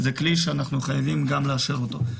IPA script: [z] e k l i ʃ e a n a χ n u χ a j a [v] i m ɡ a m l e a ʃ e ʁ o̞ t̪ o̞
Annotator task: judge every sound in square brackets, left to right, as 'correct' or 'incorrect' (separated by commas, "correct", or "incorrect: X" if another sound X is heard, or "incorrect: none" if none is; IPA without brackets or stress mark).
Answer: correct, correct